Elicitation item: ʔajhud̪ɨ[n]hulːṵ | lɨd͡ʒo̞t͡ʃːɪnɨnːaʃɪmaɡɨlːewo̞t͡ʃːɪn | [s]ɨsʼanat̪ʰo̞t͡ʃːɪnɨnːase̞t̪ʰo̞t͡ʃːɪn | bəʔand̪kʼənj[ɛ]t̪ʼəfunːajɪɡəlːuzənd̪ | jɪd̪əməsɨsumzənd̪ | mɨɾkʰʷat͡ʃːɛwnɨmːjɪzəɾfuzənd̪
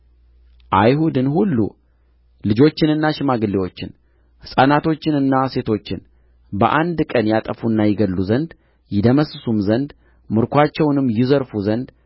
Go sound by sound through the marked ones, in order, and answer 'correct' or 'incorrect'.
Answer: correct, incorrect, incorrect

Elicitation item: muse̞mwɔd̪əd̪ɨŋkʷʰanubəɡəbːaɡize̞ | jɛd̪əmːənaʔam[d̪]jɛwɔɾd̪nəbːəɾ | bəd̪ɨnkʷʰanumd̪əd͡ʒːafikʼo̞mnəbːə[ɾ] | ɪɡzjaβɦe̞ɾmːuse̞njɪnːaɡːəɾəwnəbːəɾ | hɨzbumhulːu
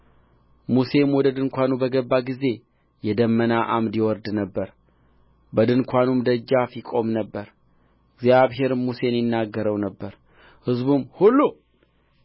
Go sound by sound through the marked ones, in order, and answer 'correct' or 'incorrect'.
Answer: correct, correct

